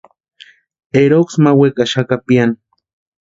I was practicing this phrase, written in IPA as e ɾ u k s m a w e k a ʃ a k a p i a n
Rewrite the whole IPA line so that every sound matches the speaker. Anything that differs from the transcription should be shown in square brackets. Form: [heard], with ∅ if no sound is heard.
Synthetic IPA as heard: e ɾ [o] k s m a w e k a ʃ a k a p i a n